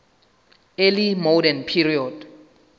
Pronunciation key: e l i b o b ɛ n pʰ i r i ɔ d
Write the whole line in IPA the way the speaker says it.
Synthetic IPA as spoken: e l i m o d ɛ n pʰ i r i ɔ d